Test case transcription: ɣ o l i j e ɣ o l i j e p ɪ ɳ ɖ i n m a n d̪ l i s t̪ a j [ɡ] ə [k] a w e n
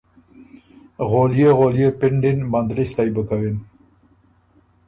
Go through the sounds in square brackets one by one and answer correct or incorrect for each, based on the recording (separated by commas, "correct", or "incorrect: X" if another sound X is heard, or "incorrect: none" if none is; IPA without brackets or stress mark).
incorrect: b, correct